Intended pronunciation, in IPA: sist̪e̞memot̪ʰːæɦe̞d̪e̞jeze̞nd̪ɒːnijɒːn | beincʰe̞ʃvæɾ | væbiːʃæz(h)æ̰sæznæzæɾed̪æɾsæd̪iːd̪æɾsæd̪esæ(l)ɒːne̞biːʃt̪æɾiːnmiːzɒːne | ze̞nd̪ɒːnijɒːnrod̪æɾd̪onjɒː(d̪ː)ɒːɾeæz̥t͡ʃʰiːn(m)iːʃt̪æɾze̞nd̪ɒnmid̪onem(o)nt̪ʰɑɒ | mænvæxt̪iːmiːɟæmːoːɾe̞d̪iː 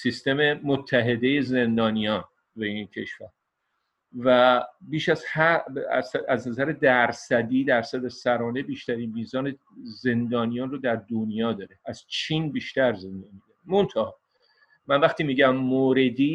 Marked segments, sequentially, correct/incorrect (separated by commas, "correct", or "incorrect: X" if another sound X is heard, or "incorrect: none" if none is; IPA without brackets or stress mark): correct, incorrect: ɾ, incorrect: d̪, incorrect: b, correct